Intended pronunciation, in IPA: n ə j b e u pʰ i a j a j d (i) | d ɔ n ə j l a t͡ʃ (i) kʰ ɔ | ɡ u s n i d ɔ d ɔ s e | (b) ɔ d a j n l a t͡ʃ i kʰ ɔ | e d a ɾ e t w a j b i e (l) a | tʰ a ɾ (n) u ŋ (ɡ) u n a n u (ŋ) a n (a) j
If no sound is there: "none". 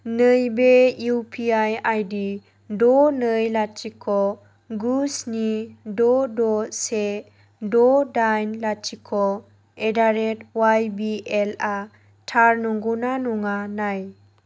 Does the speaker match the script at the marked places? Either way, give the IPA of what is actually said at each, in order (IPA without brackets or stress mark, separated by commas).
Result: i, i, d, l, n, ɡ, ŋ, a